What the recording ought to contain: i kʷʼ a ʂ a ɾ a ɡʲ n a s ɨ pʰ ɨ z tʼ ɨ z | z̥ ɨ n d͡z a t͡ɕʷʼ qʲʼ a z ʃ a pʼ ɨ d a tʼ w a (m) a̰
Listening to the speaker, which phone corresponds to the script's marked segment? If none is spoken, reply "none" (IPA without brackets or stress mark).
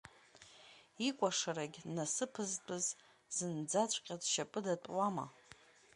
m